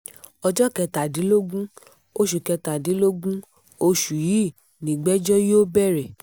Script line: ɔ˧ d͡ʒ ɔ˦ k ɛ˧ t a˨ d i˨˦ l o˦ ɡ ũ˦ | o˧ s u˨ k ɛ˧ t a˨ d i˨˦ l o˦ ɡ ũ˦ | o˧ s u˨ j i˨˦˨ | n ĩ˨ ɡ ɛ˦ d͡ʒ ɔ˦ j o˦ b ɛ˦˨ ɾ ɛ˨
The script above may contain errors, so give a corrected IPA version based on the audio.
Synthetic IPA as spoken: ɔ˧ d͡ʒ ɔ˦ k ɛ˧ t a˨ d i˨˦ l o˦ ɡ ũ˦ | o˧ ʃ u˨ k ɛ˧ t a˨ d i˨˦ l o˦ ɡ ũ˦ | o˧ ʃ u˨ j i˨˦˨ | n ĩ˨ ɡ͡b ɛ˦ d͡ʒ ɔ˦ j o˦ b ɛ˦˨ ɾ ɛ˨